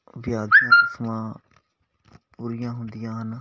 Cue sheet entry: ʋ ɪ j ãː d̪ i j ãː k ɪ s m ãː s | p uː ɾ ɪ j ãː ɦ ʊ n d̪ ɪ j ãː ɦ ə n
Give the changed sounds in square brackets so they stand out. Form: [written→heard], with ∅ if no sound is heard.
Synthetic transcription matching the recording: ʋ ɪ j [ãː→aː] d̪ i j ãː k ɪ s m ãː [s→∅] | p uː ɾ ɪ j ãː ɦ ʊ n d̪ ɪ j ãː ɦ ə n

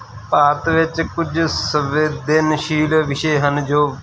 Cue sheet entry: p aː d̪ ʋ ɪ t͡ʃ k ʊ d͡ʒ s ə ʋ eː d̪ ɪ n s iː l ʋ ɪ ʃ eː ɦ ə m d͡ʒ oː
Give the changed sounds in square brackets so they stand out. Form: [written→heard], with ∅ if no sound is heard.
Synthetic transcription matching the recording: p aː [d̪→t̪] ʋ ɪ t͡ʃ k ʊ d͡ʒ s ə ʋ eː d̪ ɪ n [s→ʃ] iː l ʋ ɪ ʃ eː ɦ ə [m→n] d͡ʒ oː

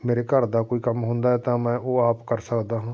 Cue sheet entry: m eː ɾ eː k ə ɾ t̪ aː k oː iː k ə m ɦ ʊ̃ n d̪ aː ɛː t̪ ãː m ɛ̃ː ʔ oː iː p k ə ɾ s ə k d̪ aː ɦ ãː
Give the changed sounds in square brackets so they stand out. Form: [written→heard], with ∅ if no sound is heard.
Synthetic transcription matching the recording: m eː ɾ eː k ə ɾ [t̪→d̪] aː k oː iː k ə m ɦ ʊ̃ n d̪ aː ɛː t̪ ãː m ɛ̃ː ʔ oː [iː→aː] p k ə ɾ s ə k d̪ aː ɦ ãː

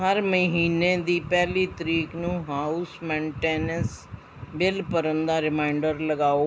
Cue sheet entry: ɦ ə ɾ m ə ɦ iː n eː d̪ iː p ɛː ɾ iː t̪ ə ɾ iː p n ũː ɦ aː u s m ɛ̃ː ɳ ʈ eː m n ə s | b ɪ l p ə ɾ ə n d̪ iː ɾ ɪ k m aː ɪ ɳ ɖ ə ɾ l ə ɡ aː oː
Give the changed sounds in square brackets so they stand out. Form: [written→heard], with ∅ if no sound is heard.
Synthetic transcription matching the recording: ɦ ə ɾ m ə ɦ iː n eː d̪ iː p ɛː [ɾ→l] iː t̪ ə ɾ iː [p→k] n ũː ɦ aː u s m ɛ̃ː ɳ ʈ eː [m→∅] n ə s | b ɪ l p ə ɾ ə n d̪ [iː→aː] ɾ ɪ [k→∅] m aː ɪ ɳ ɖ ə ɾ l ə ɡ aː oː

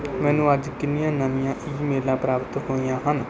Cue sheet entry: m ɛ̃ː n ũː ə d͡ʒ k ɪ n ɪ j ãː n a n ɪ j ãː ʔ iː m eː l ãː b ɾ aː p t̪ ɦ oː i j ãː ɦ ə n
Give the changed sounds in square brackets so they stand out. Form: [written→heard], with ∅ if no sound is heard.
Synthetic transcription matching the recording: m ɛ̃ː n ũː ə d͡ʒ k ɪ n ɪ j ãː n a n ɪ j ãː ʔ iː m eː l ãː [b→p] ɾ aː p t̪ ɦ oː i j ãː ɦ ə n

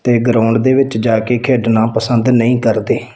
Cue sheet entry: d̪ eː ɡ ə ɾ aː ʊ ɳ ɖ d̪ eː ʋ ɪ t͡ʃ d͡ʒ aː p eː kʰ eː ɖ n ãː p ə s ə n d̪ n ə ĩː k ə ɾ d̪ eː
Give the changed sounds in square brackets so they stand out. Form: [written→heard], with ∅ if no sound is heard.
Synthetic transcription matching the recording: [d̪→t̪] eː ɡ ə ɾ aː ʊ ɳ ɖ d̪ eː ʋ ɪ t͡ʃ d͡ʒ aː [p→k] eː kʰ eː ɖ n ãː p ə s ə n d̪ n ə ĩː k ə ɾ d̪ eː

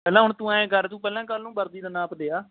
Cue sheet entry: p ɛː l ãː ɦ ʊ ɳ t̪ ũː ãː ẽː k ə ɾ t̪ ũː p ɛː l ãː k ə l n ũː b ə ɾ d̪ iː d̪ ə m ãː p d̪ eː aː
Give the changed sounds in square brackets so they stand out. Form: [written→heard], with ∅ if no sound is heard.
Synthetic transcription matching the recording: p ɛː l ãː ɦ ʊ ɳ t̪ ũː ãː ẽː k ə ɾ t̪ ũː p ɛː l ãː k ə l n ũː b ə ɾ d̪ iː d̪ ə [m→n] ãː p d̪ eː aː

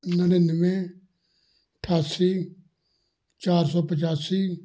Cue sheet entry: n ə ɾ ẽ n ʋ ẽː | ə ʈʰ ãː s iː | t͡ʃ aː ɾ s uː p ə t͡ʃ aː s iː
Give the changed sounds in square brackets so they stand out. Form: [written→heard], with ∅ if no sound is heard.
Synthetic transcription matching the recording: n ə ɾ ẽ n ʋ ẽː | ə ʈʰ [ãː→aː] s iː | t͡ʃ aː ɾ s [uː→ɔː] p ə t͡ʃ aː s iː

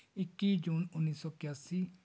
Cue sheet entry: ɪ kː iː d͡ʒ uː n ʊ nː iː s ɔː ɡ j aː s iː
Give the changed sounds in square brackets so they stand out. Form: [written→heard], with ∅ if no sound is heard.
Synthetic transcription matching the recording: ɪ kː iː d͡ʒ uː n ʊ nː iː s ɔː [ɡ→k] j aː s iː

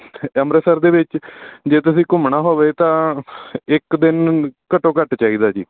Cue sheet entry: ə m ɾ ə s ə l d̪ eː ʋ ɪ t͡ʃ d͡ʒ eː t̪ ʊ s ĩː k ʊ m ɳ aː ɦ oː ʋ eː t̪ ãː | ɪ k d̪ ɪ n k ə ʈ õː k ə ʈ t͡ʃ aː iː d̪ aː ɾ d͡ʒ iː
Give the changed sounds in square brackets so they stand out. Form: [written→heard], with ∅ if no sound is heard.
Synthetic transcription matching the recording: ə m ɾ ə s ə [l→ɾ] d̪ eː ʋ ɪ t͡ʃ d͡ʒ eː t̪ ʊ s ĩː k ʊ m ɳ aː ɦ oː ʋ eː t̪ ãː | ɪ k d̪ ɪ n k ə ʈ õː k ə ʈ t͡ʃ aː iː d̪ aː [ɾ→∅] d͡ʒ iː

